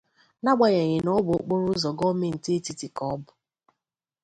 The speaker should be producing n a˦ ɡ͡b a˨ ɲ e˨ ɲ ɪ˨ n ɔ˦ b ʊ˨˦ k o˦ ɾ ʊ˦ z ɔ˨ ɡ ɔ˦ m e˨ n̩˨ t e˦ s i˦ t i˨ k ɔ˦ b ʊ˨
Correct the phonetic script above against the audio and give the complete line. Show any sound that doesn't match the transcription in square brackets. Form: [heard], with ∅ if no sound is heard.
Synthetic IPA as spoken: n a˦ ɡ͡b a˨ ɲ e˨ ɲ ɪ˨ n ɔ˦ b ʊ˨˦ [k͡p] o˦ ɾ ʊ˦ z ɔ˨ ɡ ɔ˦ m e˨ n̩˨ t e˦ [t] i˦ t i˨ k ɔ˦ b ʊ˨